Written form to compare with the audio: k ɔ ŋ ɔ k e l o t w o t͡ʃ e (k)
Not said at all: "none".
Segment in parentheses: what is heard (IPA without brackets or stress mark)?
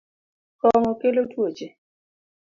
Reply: none